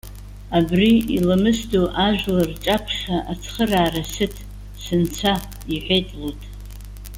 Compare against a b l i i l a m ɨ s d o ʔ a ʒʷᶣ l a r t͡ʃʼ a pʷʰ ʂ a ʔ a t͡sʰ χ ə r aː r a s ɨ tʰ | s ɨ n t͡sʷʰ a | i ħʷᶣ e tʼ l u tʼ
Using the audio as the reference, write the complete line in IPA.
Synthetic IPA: a b r i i l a m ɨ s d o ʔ a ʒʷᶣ l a r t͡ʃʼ a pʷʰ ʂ a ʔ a t͡sʰ χ ə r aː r a s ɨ tʰ | s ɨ n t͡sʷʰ a | i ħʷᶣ e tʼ l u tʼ